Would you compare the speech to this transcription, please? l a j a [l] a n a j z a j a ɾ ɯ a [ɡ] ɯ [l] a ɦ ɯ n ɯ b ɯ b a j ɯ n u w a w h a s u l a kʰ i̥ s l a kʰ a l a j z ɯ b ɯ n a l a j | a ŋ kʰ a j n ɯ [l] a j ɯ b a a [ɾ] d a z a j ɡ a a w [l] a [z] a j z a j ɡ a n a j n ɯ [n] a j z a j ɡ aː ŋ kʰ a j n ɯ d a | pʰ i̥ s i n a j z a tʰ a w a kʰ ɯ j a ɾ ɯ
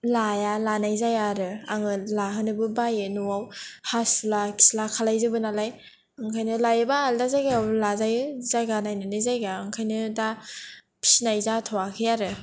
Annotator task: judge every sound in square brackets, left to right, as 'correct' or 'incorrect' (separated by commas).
correct, incorrect, correct, correct, incorrect, correct, correct, correct